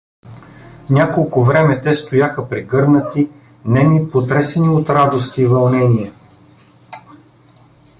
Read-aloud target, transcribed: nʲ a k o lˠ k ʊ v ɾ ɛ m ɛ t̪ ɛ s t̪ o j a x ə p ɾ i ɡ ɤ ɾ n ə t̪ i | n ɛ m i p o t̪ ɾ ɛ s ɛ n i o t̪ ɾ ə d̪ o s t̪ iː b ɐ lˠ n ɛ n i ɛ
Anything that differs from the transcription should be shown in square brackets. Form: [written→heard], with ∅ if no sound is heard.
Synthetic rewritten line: nʲ a k o lˠ k ʊ v ɾ ɛ m ɛ t̪ ɛ s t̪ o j a x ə p ɾ i ɡ ɤ ɾ n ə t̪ i | n ɛ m i p o t̪ ɾ ɛ s ɛ n i o t̪ ɾ [ə→a] d̪ o s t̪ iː [b→v] ɐ lˠ n ɛ n i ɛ